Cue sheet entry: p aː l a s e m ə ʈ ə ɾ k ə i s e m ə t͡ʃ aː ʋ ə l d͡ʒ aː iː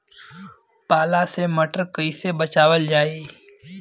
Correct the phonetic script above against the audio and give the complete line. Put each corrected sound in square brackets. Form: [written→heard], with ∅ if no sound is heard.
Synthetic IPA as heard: p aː l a s e m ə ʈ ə ɾ k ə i s e [m→b] ə t͡ʃ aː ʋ ə l d͡ʒ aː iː